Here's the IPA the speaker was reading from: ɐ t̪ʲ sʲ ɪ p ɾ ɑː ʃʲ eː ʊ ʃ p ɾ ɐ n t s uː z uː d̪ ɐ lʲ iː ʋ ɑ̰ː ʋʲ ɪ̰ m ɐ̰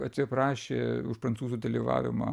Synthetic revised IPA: ɐ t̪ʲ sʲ ɪ p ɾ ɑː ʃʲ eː ʊ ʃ p ɾ ɐ n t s uː z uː d̪ ɐ lʲ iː ʋ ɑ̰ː ʋʲ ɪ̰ m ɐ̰